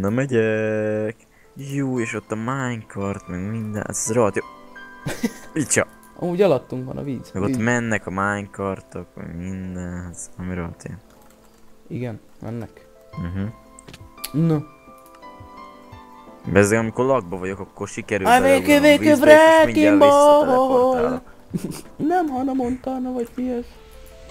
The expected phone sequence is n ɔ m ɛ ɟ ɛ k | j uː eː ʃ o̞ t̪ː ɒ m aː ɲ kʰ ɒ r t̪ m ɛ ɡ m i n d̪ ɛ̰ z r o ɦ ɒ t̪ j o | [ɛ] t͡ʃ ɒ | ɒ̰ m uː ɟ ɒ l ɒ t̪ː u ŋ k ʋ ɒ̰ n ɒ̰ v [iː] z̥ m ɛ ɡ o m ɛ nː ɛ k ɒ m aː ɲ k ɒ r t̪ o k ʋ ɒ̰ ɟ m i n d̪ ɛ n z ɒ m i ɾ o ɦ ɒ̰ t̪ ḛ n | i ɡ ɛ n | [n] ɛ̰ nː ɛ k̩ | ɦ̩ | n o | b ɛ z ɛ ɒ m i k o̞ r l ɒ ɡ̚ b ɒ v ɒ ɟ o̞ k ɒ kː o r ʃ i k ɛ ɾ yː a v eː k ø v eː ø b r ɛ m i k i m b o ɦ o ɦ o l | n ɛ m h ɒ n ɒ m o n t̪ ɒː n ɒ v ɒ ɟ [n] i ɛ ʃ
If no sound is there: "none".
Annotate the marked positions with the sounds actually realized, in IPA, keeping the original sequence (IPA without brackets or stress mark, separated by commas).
i, iː, m, m